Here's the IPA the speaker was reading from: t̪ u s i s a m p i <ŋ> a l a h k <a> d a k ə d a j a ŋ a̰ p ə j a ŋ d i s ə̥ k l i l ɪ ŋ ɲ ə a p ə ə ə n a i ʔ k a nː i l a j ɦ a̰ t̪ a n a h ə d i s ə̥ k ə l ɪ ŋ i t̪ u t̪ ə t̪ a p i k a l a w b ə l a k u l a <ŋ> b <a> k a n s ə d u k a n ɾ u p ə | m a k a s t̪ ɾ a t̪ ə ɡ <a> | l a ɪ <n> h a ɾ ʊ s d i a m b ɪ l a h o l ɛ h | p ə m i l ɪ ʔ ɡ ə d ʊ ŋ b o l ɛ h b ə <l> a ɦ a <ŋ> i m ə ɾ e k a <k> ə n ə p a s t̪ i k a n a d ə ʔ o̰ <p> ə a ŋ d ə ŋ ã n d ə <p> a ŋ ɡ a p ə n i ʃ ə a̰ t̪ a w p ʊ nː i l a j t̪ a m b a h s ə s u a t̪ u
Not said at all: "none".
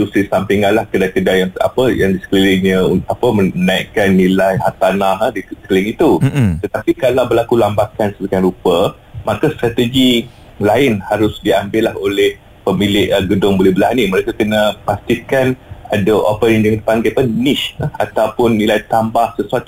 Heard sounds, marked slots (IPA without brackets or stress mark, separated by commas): ŋ, ə, m, a, i, n, l, n, k, p, p